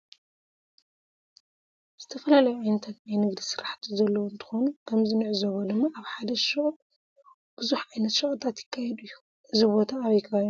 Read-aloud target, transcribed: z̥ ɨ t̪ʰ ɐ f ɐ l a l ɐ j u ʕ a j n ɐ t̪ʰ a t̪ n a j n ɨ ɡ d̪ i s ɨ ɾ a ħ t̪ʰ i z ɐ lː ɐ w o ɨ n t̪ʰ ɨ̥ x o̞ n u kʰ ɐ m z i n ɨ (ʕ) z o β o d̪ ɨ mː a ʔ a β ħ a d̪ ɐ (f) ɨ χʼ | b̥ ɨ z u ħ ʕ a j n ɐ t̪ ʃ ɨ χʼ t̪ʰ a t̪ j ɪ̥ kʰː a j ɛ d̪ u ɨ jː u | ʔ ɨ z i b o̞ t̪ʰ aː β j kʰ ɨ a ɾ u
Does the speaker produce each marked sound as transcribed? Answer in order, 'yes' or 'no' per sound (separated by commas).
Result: yes, no